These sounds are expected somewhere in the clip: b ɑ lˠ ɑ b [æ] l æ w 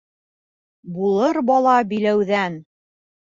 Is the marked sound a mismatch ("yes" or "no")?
yes